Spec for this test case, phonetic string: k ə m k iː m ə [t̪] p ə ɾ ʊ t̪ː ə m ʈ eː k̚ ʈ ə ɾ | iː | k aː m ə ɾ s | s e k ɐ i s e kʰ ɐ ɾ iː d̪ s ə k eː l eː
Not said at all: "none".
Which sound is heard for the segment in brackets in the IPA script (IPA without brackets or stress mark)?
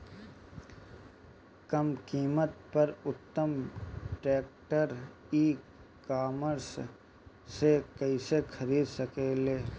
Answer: t̪